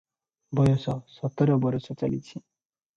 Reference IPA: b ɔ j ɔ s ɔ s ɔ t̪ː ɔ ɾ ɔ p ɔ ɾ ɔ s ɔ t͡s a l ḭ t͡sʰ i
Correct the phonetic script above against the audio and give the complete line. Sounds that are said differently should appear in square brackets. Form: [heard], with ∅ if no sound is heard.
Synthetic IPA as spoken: b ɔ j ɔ s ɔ s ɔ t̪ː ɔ ɾ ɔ [b] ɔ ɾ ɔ s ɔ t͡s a l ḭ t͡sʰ i